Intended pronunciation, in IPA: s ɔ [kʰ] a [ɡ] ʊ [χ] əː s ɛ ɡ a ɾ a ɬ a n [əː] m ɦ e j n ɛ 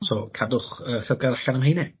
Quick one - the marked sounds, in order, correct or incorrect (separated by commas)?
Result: correct, incorrect, correct, incorrect